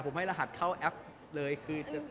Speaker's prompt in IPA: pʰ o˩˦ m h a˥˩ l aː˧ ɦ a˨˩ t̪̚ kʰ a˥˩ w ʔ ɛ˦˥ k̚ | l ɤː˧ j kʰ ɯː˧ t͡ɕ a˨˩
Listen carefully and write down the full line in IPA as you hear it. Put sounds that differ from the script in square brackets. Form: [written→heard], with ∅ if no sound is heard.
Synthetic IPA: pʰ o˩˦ m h a˥˩ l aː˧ ɦ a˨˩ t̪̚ kʰ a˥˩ w ʔ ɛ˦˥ [k̚→p̚] | l ɤː˧ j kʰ ɯː˧ t͡ɕ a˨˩